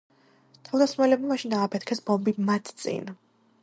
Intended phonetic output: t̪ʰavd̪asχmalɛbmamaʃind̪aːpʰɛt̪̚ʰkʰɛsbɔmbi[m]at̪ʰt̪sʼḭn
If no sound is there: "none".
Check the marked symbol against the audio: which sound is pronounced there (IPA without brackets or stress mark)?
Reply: m